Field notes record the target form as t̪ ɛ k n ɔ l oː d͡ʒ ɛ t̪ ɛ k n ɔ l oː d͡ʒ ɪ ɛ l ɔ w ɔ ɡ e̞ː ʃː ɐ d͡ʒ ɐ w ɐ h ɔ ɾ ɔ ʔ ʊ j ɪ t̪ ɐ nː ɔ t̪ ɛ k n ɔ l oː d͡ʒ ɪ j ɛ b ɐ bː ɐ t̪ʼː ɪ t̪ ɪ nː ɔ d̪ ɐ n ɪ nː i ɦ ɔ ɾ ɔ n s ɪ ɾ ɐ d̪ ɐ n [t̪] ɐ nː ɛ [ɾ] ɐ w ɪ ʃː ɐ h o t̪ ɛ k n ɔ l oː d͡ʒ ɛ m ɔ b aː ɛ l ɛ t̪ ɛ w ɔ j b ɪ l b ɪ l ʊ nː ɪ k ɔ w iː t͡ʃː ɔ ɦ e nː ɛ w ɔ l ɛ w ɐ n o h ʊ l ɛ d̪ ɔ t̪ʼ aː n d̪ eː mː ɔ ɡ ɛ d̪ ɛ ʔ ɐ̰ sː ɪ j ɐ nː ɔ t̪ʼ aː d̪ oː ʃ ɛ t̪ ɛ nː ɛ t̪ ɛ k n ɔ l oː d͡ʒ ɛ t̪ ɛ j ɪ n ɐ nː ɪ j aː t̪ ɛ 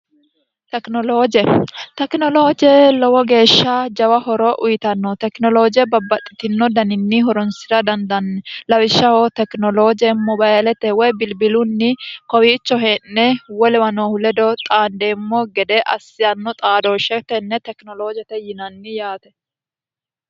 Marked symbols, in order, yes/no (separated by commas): no, no